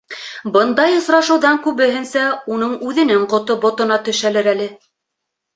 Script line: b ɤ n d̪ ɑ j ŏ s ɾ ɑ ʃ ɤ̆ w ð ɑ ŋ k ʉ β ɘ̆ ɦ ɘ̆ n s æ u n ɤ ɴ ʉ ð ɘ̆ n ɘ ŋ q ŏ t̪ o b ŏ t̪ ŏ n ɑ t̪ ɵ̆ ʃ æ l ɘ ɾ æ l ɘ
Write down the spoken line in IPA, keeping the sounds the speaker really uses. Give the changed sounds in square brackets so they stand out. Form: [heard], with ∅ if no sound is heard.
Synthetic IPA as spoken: b ɤ n d̪ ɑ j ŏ s ɾ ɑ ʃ ɤ̆ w ð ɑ ŋ k ʉ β ɘ̆ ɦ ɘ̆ n s æ u n ɤ ɴ ʉ ð ɘ̆ n ɘ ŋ q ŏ t̪ o b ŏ t̪ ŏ n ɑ t̪ ɵ̆ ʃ æ l ɘ ɾ æ l ɘ